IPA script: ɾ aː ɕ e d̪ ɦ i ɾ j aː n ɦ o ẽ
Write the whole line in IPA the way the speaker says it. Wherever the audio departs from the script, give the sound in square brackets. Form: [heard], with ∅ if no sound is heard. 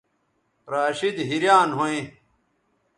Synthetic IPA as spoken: ɾ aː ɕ [i] d̪ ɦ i ɾ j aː n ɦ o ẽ